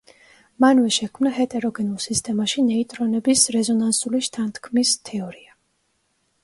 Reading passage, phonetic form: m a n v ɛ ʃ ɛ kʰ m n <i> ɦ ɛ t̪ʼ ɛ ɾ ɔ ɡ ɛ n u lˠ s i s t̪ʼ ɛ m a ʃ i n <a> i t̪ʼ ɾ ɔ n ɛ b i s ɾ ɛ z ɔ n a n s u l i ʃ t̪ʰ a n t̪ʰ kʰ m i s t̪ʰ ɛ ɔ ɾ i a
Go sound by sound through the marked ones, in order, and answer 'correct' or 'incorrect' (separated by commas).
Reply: incorrect, incorrect